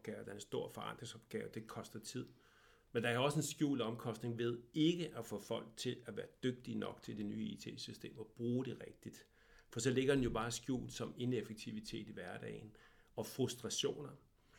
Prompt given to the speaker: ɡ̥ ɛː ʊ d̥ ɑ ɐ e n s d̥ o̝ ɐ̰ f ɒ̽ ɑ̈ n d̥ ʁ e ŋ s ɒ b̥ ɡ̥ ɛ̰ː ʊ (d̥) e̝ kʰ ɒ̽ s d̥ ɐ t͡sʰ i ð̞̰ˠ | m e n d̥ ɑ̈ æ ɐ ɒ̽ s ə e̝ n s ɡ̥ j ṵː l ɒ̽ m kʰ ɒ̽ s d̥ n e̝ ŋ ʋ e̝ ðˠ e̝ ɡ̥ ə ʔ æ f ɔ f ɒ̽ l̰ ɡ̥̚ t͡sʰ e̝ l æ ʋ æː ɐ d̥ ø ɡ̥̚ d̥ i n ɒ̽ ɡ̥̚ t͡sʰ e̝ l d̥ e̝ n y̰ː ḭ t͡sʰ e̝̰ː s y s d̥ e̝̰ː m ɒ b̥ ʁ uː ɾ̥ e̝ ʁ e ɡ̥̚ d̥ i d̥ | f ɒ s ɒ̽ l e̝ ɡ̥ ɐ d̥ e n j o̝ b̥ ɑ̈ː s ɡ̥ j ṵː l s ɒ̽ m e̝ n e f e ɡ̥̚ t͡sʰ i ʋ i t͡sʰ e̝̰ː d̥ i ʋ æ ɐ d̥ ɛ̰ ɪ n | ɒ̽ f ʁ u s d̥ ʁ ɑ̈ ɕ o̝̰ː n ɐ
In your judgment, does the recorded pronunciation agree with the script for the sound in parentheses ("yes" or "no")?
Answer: yes